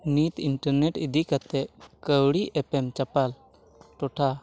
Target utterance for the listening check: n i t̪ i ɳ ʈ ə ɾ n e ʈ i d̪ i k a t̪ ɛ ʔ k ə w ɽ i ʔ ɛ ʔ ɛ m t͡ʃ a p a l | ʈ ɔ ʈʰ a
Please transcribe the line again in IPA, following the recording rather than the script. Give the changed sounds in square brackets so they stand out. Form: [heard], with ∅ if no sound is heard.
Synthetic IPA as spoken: n i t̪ i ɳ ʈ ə ɾ n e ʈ i d̪ i k a t̪ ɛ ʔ k ə w ɽ i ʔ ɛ [p] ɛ m t͡ʃ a p a l | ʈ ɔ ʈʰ a